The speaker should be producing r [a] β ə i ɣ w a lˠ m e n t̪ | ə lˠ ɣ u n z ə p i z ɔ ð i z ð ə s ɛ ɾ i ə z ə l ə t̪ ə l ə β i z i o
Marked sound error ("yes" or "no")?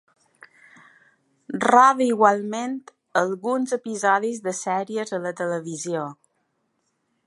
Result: no